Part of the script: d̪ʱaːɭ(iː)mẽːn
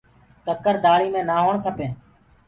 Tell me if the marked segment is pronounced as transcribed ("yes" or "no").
yes